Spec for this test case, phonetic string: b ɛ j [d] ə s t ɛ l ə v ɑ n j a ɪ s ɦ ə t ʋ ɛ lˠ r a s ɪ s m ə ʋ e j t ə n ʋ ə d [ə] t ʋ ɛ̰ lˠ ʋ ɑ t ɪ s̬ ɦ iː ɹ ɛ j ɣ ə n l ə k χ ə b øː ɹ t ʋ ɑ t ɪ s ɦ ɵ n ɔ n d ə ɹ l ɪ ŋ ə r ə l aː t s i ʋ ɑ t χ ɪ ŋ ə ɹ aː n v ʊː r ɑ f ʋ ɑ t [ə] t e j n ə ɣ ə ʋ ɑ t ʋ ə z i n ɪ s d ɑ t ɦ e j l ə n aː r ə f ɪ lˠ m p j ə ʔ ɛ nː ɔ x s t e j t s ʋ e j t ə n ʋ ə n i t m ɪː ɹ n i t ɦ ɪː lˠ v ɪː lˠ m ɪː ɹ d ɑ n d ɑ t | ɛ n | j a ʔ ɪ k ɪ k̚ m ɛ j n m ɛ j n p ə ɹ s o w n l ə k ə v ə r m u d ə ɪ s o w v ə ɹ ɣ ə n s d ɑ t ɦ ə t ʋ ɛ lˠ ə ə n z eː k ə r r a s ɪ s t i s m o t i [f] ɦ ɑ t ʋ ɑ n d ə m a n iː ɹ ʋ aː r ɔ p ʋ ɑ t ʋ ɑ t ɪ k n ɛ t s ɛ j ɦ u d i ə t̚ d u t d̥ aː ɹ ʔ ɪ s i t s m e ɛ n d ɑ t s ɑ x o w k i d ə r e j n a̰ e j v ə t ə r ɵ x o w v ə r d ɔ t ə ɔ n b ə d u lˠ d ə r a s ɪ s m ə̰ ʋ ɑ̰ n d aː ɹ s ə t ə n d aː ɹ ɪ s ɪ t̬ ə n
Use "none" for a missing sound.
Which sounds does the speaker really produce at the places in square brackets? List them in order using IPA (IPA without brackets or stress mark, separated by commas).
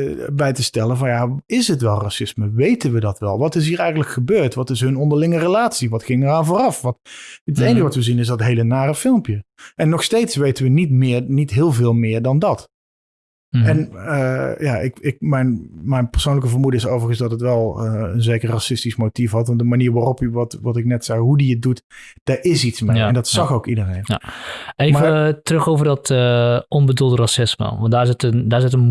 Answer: t, ɑ, ə, f